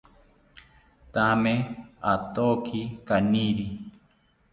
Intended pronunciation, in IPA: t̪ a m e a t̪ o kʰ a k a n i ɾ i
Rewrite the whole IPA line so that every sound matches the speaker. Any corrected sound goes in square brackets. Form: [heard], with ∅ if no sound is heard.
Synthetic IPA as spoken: t̪ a m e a t̪ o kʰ [i] k a n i ɾ i